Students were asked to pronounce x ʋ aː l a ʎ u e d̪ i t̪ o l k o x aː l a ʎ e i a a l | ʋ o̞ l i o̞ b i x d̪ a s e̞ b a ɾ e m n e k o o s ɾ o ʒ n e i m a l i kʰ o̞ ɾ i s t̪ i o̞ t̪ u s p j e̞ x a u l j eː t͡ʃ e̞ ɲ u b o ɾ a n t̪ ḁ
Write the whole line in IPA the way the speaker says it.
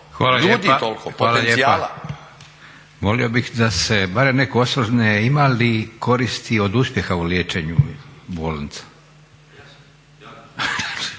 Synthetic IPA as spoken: x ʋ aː l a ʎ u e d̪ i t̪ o l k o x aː l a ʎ e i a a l | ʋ o̞ l i o̞ b i x d̪ a s e̞ b a ɾ e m n e k o o s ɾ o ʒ n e i m a l i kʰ o̞ ɾ i s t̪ i o̞ d̪ u s p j e̞ x a u l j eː t͡ʃ e̞ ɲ u b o l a n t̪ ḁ